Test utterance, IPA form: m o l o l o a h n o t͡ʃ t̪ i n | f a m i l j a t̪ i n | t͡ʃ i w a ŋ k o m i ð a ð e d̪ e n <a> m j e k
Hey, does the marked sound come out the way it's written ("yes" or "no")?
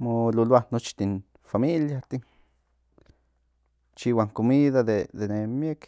no